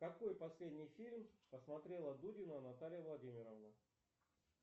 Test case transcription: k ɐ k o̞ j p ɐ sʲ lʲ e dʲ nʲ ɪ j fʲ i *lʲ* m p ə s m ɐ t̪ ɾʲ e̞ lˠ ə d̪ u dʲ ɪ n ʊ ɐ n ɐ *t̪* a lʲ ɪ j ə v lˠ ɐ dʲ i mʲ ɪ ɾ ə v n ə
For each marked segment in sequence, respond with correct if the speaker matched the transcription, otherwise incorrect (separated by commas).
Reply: correct, correct